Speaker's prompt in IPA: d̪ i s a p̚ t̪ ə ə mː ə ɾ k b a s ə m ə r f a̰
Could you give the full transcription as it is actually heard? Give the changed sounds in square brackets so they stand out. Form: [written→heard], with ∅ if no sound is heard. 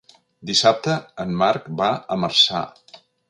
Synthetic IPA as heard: d̪ i s a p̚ t̪ ə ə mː [ə→a] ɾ k b a [s→∅] ə m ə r [f→s] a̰

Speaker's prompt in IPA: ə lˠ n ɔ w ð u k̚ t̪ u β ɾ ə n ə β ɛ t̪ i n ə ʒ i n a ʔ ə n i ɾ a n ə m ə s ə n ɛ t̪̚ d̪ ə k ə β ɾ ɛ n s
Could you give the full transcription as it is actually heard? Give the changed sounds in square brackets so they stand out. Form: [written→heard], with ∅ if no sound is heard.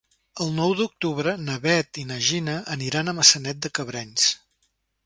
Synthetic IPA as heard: ə lˠ n ɔ w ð u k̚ t̪ u β ɾ ə n ə β ɛ t̪ i n ə ʒ i n [a→ə] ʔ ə n i ɾ a n ə m ə s ə n ɛ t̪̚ d̪ ə k ə β ɾ ɛ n s

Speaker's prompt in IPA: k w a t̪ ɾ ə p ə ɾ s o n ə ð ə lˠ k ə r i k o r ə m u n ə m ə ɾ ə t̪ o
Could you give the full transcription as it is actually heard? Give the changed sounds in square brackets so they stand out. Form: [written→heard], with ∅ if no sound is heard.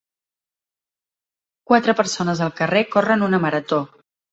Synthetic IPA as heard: k w a t̪ ɾ ə p ə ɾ s o n ə [ð→z] ə lˠ k ə r [i→e] k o r ə [m→n] u n ə m ə ɾ ə t̪ o

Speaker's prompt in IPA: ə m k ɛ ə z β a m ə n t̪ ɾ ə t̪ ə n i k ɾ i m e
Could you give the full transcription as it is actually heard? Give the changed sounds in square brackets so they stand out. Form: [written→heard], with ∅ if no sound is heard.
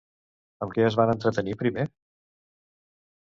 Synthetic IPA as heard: ə m k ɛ ə z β a [m→n] ə n t̪ ɾ ə t̪ ə n i [k→p] ɾ i m e

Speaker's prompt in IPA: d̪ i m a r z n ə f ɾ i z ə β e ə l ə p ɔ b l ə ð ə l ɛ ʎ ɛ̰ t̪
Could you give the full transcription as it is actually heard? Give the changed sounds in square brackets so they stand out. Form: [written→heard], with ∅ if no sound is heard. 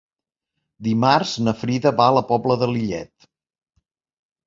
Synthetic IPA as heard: d̪ i m a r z n ə f ɾ i [z→ð] ə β [e→a] ə l ə p ɔ b l ə ð ə l [ɛ→i] ʎ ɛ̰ t̪

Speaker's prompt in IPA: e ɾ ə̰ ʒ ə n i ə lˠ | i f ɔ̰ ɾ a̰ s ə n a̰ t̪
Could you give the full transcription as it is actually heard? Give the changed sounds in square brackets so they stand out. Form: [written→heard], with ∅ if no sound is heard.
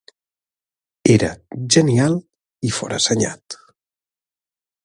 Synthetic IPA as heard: e ɾ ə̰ ʒ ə n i [ə→a] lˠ | i f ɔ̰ ɾ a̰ s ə [n→ɲ] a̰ t̪

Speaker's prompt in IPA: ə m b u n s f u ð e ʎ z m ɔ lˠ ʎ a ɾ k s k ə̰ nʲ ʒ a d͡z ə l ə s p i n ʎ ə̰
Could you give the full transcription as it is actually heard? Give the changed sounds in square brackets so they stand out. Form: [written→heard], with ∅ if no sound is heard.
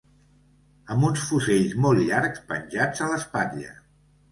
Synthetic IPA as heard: ə m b u n s f u [ð→z] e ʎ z m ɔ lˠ ʎ a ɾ k s [k→p] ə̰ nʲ ʒ a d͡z ə l ə s p [i→a] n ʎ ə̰

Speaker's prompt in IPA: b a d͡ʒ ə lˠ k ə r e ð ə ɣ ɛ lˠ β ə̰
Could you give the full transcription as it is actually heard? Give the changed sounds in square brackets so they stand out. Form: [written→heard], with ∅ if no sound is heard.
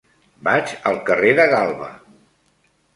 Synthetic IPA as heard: b a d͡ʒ ə lˠ k ə r e ð ə ɣ [ɛ→a] lˠ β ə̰

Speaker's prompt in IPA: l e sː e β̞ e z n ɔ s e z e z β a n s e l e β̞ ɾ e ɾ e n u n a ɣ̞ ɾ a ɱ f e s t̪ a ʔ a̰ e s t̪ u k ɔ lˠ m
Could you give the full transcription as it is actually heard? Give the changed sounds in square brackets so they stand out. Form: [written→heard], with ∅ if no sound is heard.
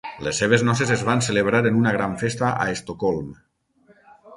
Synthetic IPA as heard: l e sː e β̞ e z n ɔ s e z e z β a n s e l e β̞ ɾ [e→a] ɾ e n u n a ɣ̞ ɾ a ɱ f e s t̪ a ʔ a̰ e s t̪ [u→o] k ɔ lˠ m

